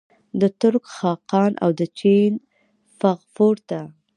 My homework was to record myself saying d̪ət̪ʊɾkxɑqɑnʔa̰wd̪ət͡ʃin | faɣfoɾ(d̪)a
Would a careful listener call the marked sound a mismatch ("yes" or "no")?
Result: yes